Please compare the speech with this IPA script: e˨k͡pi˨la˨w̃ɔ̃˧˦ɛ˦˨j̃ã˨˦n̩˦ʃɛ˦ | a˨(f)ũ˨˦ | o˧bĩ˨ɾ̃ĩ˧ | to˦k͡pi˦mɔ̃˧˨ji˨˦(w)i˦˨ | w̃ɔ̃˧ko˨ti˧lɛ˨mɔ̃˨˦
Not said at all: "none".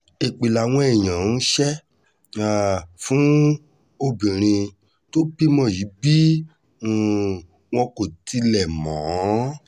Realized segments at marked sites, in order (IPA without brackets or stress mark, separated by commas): f, b